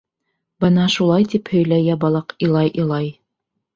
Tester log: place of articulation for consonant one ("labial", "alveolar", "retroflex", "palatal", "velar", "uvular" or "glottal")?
labial